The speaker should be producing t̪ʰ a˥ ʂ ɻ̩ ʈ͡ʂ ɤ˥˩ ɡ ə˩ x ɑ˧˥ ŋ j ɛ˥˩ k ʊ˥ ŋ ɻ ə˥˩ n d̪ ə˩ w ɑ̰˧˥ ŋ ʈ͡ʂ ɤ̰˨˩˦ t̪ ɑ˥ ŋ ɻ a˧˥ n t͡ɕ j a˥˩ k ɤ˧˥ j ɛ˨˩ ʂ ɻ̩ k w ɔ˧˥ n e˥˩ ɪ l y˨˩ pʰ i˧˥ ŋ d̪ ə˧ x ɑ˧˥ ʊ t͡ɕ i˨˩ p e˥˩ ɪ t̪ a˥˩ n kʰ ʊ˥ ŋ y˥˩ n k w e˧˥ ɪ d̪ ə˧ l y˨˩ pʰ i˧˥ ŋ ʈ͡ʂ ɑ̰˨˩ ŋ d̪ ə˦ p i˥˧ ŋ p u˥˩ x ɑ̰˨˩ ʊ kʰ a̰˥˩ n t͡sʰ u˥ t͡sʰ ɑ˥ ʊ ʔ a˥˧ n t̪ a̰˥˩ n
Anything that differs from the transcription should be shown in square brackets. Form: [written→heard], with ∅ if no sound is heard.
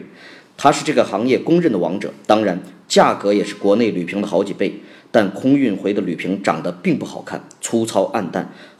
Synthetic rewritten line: t̪ʰ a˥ ʂ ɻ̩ ʈ͡ʂ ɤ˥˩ ɡ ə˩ x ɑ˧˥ ŋ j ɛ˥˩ k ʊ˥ ŋ ɻ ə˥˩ n d̪ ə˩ w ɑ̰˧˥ ŋ ʈ͡ʂ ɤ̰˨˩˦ t̪ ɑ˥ ŋ ɻ a˧˥ n t͡ɕ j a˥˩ k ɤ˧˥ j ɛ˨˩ ʂ ɻ̩ k w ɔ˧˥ n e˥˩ ɪ l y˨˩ pʰ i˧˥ ŋ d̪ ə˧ x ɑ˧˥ ʊ t͡ɕ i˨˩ p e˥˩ ɪ t̪ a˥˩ n kʰ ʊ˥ ŋ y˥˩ n [k→x] w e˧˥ ɪ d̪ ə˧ l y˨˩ pʰ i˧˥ ŋ ʈ͡ʂ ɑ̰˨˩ ŋ d̪ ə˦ p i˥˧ ŋ p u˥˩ x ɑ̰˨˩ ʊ kʰ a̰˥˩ n t͡sʰ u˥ t͡sʰ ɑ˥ ʊ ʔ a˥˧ n t̪ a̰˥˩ n